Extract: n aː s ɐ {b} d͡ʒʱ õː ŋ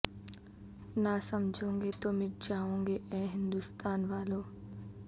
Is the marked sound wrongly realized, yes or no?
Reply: yes